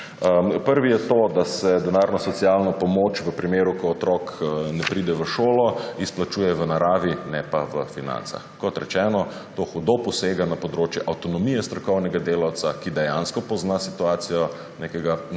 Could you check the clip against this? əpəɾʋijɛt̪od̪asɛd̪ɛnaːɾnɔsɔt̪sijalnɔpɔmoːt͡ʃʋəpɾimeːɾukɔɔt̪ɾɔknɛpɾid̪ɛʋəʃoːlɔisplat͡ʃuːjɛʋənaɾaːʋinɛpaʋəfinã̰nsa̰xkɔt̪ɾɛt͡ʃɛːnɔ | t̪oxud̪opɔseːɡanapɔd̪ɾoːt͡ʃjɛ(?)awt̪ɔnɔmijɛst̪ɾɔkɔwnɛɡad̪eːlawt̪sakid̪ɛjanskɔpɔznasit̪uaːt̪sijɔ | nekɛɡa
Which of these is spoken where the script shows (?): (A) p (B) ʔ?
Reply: B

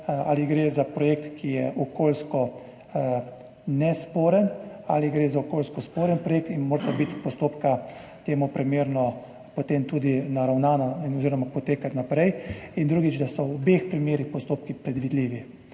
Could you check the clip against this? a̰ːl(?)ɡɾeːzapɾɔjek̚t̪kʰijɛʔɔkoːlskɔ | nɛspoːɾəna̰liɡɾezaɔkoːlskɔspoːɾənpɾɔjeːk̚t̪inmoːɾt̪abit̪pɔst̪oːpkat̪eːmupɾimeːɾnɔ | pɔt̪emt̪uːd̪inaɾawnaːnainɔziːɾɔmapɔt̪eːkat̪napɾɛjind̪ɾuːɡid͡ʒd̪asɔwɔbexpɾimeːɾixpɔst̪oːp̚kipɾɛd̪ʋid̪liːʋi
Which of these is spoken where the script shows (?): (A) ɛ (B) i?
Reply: B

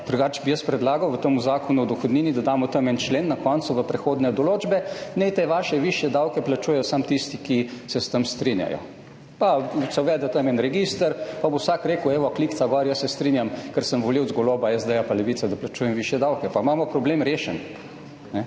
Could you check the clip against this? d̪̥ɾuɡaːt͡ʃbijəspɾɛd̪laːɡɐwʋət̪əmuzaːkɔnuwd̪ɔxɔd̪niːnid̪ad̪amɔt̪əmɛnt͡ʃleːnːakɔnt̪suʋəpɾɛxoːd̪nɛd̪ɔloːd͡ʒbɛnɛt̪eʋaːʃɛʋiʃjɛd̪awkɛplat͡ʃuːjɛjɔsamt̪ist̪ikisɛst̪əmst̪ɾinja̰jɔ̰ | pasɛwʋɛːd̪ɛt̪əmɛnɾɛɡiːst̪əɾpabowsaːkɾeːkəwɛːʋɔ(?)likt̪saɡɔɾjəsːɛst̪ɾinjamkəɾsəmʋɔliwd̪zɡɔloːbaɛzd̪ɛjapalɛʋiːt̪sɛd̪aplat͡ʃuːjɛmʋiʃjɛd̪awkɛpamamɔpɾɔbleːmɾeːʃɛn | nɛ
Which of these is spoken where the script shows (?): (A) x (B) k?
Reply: B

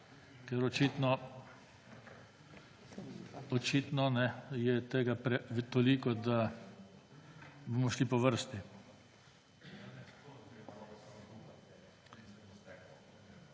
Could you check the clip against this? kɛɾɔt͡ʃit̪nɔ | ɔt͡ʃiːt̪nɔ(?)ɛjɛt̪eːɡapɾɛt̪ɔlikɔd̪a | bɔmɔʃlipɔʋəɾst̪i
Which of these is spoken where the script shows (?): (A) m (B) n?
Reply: B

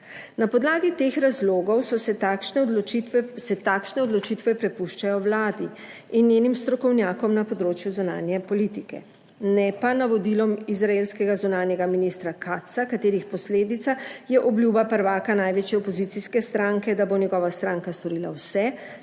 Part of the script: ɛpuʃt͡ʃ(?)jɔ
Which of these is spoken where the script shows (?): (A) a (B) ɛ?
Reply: A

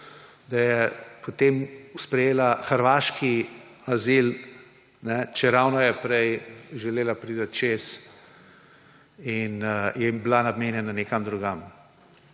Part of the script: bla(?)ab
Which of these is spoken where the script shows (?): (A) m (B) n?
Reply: B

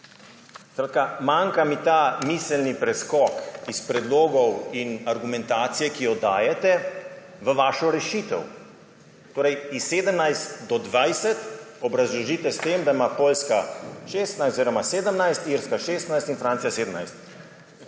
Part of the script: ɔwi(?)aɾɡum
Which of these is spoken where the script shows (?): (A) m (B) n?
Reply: B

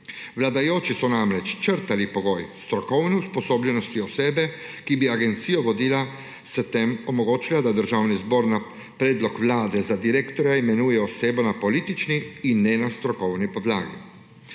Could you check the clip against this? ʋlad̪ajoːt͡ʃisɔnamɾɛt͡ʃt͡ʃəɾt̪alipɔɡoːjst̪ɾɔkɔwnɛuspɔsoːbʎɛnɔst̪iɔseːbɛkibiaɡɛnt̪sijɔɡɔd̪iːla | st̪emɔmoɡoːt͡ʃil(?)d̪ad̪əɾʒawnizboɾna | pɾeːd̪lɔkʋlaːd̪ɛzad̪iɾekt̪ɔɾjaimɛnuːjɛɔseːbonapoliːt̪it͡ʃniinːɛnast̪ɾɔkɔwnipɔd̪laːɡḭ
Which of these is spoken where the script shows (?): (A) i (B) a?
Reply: B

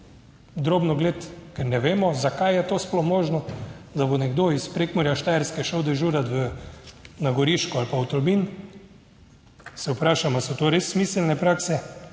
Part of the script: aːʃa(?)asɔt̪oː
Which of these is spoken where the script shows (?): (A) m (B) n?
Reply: A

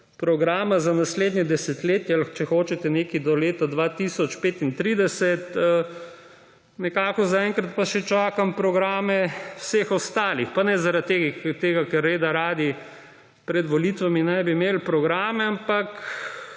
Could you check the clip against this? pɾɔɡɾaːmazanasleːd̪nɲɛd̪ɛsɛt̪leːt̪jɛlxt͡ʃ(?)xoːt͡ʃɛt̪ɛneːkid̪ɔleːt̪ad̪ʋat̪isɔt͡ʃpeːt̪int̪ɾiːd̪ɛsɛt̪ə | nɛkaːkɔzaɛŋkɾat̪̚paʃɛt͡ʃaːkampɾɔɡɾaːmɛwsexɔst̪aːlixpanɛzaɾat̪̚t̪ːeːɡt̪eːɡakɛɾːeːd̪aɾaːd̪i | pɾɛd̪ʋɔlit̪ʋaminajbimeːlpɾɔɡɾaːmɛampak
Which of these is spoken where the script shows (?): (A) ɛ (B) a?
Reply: A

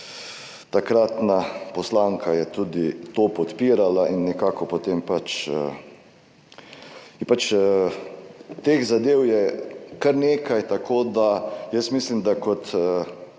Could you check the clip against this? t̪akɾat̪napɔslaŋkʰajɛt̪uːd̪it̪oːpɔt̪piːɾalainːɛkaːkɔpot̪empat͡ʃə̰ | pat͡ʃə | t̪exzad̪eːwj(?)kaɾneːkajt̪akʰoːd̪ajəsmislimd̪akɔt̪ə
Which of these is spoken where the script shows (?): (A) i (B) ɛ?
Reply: B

